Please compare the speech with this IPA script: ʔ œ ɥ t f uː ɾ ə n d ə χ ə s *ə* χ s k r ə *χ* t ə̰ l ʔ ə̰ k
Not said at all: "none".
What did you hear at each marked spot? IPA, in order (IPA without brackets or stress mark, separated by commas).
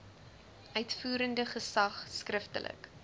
ɐ, f